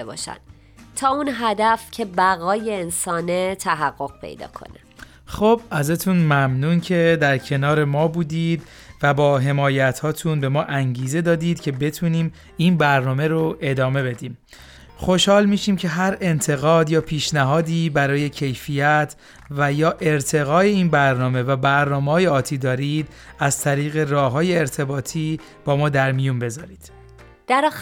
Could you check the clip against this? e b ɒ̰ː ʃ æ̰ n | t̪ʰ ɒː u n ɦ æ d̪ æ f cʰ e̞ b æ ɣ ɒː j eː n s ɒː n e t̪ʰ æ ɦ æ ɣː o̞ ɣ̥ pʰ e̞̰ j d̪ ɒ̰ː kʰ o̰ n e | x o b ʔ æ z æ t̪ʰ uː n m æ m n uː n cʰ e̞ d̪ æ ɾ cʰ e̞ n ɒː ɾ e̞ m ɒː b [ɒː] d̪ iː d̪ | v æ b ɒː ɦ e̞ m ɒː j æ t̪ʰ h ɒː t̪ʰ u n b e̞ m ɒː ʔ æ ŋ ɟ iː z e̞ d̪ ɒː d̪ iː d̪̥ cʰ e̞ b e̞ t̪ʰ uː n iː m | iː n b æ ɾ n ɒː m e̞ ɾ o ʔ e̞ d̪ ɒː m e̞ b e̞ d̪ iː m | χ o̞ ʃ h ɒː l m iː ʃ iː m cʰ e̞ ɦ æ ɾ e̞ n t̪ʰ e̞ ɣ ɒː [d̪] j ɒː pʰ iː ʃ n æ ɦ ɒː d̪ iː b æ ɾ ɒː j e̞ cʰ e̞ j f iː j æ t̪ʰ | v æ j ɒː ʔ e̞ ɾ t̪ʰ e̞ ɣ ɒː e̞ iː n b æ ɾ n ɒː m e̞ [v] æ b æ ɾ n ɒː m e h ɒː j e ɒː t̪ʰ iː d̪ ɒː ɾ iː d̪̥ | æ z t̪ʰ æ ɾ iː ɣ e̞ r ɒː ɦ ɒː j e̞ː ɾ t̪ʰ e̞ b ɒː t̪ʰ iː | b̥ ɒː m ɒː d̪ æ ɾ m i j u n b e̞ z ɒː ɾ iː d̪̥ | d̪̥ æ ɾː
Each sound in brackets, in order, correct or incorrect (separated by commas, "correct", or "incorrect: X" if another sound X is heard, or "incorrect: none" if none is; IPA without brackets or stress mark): incorrect: uː, correct, correct